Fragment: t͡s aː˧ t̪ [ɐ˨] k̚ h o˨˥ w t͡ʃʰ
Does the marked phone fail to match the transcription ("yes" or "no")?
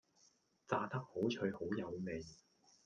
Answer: yes